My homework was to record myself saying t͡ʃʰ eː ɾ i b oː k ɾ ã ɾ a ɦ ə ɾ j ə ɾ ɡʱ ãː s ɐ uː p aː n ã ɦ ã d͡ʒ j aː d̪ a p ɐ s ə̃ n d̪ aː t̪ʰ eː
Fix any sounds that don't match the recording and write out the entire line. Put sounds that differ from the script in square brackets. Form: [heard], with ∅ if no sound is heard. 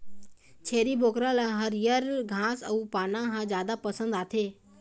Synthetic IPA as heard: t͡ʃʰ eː ɾ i b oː k ɾ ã [l] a ɦ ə ɾ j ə ɾ ɡʱ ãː s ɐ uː p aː n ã ɦ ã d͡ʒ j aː d̪ a p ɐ s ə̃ n d̪ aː t̪ʰ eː